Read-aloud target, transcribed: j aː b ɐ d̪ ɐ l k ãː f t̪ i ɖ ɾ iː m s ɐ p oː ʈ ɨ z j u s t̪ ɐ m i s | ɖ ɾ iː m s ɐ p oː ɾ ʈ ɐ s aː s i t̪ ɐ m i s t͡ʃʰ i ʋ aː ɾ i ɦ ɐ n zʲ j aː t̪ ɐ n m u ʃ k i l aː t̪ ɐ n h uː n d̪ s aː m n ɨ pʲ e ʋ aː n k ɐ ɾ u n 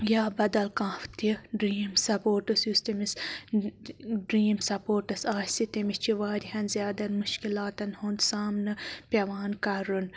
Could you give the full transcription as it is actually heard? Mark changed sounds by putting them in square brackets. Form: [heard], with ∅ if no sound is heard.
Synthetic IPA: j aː b ɐ d̪ ɐ l k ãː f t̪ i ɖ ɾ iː m s ɐ p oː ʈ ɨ [s] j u s t̪ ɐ m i s | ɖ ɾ iː m s ɐ p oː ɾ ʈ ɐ s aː s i t̪ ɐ m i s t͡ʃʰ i ʋ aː ɾ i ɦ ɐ n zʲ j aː [d̪] ɐ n m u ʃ k i l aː t̪ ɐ n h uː n d̪ s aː m n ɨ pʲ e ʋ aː n k ɐ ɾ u n